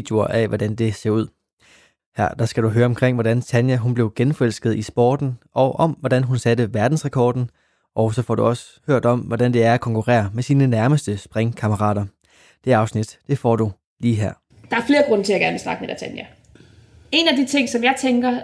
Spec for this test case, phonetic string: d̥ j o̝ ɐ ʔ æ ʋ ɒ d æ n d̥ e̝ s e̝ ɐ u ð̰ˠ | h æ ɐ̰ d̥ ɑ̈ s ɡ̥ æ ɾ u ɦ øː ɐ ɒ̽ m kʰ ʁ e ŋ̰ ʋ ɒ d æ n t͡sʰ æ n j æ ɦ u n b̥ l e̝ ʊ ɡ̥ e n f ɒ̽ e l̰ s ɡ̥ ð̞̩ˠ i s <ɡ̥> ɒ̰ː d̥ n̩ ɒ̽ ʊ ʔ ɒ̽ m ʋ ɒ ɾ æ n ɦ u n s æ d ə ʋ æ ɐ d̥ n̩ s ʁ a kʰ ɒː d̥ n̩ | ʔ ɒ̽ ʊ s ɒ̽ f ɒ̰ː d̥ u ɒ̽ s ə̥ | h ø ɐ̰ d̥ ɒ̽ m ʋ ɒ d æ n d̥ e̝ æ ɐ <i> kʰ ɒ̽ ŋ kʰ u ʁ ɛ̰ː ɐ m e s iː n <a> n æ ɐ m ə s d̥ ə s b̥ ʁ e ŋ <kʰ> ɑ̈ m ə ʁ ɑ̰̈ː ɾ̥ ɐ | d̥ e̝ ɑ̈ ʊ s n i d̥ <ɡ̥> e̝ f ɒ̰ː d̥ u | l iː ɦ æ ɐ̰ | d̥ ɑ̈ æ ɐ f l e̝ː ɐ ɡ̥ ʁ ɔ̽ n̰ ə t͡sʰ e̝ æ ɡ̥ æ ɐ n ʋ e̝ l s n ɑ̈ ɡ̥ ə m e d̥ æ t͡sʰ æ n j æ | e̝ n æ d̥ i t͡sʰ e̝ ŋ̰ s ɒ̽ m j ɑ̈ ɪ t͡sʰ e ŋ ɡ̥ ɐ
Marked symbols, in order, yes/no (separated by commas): no, no, no, yes, no